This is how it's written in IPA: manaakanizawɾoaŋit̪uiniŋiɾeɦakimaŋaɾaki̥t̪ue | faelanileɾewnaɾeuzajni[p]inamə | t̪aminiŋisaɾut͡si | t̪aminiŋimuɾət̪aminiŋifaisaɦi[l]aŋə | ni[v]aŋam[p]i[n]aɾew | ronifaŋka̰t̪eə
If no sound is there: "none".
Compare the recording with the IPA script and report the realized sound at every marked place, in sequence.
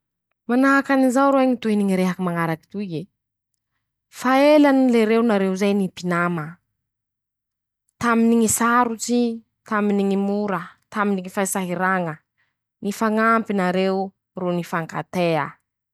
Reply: p, ɾ, f, p, n

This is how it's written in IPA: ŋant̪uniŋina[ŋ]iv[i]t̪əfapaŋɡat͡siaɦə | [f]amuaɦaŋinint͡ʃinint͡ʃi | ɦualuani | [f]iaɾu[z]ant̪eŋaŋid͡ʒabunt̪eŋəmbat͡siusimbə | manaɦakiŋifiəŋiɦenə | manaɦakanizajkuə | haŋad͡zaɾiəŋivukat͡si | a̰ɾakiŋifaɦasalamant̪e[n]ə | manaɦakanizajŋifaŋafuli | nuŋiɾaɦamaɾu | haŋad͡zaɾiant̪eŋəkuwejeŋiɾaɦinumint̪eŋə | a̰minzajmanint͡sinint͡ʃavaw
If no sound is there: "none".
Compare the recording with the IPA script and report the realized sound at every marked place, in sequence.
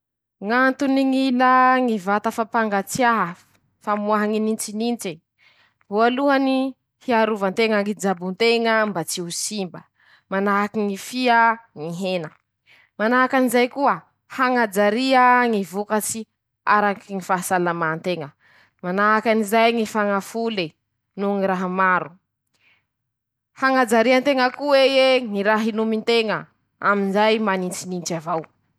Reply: ŋ, a, f, h, v, ŋ

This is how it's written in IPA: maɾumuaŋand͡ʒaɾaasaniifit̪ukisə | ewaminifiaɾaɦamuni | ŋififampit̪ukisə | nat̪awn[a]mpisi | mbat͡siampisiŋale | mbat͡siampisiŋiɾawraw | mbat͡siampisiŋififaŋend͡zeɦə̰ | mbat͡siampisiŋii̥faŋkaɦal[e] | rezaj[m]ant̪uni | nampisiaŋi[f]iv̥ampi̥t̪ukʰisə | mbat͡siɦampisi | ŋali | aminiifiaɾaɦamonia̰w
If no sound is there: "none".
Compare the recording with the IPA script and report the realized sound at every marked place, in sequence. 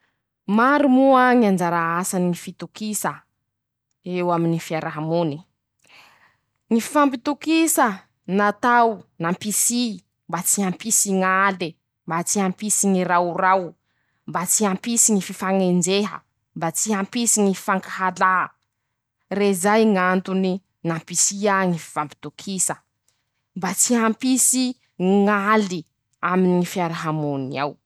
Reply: a, a, ŋ, f

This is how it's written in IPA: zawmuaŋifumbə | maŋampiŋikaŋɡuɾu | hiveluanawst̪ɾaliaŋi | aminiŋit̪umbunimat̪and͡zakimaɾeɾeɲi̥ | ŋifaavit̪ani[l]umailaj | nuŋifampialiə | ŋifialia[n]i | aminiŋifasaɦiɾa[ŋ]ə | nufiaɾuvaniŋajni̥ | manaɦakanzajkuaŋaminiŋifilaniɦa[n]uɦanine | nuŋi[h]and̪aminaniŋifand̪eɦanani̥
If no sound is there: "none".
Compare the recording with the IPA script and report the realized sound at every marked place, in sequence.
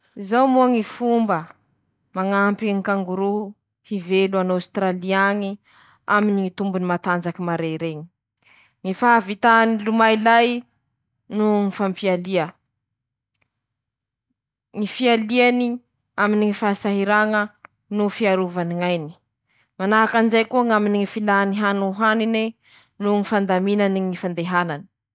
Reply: l, n, ŋ, n, f

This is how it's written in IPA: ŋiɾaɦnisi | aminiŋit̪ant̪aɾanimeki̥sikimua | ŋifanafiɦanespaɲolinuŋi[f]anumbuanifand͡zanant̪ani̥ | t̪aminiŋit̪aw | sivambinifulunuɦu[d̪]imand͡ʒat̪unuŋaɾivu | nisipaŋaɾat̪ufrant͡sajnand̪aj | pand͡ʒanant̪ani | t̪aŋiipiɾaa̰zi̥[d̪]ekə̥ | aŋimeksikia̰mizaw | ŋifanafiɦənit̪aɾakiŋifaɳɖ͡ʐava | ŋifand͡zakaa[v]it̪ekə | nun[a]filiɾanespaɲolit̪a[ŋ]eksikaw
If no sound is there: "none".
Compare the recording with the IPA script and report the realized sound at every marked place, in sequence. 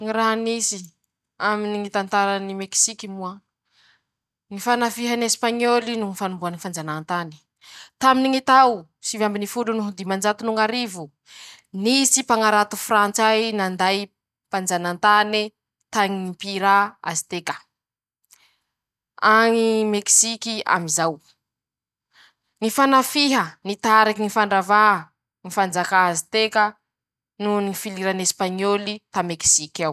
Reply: f, d̪, t̪, z, i, m

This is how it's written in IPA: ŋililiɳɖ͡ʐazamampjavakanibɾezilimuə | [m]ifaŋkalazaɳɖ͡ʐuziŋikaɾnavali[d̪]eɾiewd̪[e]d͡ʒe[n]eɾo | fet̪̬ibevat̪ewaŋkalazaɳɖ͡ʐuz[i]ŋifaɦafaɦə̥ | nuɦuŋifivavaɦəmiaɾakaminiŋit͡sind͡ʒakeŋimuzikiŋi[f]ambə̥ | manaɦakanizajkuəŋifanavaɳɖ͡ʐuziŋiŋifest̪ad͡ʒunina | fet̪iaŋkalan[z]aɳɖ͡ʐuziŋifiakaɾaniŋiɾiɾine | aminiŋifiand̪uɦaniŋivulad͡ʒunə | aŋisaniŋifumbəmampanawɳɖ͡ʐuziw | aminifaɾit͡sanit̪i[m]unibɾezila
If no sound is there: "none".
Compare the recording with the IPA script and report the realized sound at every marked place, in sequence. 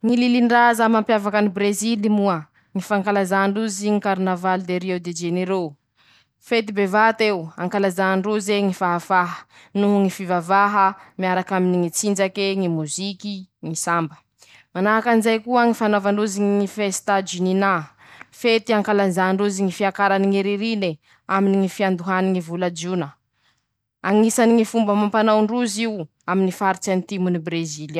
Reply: ŋ, d̪, e, n, e, s, z, m

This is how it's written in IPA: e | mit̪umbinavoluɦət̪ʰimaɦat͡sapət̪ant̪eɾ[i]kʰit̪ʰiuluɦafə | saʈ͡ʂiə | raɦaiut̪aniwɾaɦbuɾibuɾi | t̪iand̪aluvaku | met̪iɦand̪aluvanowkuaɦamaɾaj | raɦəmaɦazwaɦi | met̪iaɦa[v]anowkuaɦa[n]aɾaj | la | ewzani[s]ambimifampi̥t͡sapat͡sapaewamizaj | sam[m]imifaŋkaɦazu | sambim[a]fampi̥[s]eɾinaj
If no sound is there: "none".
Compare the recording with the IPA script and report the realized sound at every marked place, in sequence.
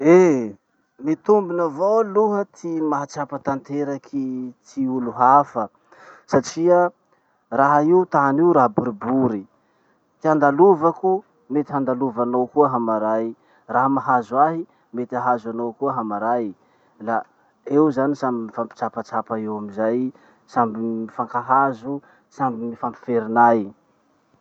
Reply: a, z, m, s, b, i, f

